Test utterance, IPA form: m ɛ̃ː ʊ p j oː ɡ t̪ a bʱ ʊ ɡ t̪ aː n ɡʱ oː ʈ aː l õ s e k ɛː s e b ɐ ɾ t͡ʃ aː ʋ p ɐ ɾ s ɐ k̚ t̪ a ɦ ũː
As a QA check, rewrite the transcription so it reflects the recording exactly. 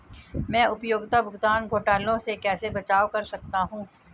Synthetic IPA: m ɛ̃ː ʊ p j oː ɡ t̪ a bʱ ʊ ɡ t̪ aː n ɡʱ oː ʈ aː l õ s e k ɛː s e b ɐ t͡ʃ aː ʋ k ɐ ɾ s ɐ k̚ t̪ a ɦ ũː